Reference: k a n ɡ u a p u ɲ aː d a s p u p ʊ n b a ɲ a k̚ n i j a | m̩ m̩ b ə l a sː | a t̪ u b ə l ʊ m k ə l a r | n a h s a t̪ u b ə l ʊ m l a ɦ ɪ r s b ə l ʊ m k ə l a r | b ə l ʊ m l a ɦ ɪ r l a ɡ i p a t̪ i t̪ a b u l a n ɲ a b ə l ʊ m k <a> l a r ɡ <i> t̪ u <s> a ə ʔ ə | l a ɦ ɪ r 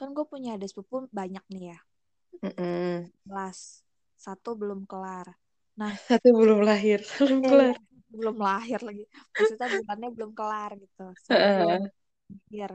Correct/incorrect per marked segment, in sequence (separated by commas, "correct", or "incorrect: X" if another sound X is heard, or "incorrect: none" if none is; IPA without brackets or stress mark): incorrect: ə, correct, correct